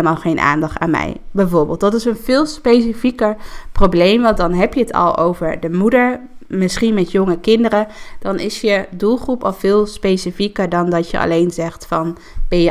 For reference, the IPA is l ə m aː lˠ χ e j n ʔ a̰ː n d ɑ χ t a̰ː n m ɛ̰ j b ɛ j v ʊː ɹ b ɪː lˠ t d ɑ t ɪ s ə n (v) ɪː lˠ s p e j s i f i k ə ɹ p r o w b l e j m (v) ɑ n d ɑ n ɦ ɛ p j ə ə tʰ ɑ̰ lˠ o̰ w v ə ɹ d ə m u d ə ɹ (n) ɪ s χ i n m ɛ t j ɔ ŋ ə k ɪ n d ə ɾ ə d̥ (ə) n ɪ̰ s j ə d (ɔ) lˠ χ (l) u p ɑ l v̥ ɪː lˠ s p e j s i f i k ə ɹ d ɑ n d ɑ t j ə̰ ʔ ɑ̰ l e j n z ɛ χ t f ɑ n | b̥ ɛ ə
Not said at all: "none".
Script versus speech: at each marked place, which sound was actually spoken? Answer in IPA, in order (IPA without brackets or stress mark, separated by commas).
v, ʋ, m, ɑ, u, r